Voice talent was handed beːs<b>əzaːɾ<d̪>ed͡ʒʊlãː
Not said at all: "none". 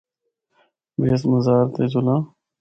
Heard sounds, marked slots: m, t̪

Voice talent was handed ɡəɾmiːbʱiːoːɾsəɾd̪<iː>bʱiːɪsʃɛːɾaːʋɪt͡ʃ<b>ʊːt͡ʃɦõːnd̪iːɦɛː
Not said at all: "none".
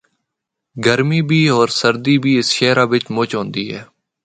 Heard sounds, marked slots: iː, m

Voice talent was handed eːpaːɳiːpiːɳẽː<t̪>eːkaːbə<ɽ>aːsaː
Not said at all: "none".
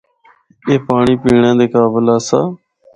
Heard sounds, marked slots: d̪, l

